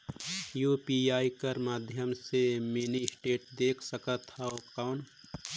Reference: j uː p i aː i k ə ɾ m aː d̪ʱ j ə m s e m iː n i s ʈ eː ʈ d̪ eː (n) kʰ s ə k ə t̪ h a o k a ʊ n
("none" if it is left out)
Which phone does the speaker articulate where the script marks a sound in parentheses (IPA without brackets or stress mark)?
none